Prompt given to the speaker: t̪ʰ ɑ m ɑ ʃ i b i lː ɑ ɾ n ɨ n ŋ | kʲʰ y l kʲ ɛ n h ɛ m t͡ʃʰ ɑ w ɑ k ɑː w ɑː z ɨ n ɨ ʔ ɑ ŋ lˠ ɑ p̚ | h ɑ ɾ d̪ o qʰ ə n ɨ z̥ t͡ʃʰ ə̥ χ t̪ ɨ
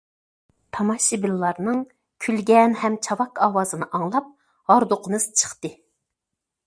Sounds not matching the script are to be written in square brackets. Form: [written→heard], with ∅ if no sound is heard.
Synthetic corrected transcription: t̪ʰ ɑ m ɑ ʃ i b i lː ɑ ɾ n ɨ [n→∅] ŋ | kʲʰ y l [kʲ→ɡʲ] ɛ n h ɛ m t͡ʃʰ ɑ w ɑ k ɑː w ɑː z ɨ n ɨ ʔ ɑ ŋ lˠ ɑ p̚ | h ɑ ɾ d̪ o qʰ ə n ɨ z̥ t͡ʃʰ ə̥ χ t̪ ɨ